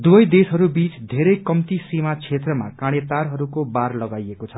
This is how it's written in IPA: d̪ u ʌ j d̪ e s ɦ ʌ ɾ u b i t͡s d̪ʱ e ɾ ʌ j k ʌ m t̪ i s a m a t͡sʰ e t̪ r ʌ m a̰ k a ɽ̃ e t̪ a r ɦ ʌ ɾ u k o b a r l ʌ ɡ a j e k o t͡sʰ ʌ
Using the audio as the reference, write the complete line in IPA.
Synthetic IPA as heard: d̪ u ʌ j d̪ e s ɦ ʌ ɾ u b i t͡s d̪ʱ e ɾ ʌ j k ʌ m t̪ i s i m a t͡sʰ e t̪ r ʌ m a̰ k a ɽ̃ e t̪ a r ɦ ʌ ɾ u k o b a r l ʌ ɡ a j e k o t͡sʰ ʌ